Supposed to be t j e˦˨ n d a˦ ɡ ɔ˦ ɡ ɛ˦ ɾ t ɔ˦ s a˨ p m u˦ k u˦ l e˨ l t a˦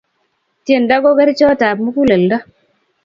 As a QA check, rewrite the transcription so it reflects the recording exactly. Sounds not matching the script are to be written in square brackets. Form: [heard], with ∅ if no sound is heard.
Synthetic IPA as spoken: t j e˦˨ n d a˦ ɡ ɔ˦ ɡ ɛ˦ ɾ [t͡ʃ] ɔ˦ [t] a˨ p m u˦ k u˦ l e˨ l [d] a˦

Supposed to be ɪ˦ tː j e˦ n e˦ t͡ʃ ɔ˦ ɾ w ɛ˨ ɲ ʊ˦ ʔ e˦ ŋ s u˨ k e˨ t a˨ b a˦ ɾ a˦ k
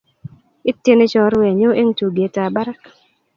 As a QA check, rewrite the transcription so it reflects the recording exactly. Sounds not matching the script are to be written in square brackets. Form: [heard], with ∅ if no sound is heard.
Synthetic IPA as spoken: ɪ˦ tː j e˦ n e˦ t͡ʃ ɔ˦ ɾ w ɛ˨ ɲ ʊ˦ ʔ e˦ ŋ [t] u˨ [ɡ] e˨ t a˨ b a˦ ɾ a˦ k

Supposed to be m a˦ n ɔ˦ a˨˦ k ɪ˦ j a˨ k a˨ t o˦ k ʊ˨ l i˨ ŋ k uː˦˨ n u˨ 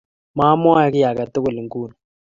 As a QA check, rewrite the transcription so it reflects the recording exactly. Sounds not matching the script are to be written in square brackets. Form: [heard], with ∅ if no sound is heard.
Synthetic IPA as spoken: m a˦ [m] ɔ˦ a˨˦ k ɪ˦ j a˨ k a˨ t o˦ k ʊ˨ l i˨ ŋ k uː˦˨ n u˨

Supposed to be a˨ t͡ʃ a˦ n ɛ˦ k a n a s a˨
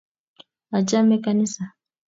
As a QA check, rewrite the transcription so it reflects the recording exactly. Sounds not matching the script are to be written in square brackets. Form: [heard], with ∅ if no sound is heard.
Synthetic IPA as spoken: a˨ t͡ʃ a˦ [m] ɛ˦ k a n [i] s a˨

